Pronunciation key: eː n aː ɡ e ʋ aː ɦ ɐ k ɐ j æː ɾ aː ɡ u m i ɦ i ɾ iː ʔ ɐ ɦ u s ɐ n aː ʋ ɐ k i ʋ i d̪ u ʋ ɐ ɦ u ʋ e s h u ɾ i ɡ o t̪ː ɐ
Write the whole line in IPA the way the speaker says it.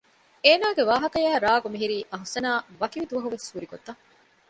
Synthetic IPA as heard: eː n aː ɡ e ʋ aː ɦ ɐ k ɐ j æː ɾ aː ɡ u m i ɦ i ɾ iː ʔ ɐ ɦ u s ɐ n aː ʋ ɐ k i ʋ i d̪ u ʋ ɐ ɦ u ʋ e s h u ɾ i ɡ o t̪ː ɐ